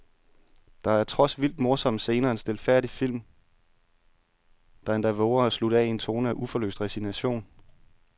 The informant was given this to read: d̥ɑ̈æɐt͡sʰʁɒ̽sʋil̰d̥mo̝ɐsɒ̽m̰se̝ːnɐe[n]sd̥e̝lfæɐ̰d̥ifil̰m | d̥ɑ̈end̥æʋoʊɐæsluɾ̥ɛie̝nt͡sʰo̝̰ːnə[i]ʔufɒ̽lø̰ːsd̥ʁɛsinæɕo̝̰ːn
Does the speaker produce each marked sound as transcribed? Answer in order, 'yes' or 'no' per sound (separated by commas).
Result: yes, no